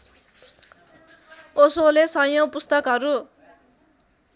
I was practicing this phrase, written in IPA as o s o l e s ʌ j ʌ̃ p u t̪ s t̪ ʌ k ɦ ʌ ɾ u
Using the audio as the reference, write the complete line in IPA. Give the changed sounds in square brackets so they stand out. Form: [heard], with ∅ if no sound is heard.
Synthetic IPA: o s o l e s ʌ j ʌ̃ p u [∅] s t̪ ʌ k ɦ ʌ ɾ u